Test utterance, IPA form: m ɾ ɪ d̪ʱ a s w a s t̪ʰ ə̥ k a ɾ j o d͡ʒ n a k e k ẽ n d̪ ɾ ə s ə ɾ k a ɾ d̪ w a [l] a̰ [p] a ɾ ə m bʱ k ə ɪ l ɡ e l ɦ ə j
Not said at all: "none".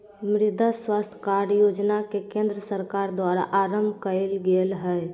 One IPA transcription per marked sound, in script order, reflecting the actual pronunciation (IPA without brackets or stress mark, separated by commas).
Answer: ɾ, ʔ